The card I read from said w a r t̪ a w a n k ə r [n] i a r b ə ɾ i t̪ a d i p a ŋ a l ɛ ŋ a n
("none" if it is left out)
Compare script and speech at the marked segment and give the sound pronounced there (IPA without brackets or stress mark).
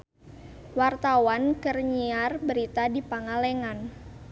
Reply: ɲ